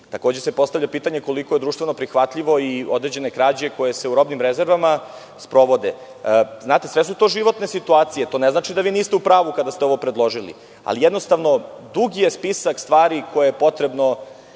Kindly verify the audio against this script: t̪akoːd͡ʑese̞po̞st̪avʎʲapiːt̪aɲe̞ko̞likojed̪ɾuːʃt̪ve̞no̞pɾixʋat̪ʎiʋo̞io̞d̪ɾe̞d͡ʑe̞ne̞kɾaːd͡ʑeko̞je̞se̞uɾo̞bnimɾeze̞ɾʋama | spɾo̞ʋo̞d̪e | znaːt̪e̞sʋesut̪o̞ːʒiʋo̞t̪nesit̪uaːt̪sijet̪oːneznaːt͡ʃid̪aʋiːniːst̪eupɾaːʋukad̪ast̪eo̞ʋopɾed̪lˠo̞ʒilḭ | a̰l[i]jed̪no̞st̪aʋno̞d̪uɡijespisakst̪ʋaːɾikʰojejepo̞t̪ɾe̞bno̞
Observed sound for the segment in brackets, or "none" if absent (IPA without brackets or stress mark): i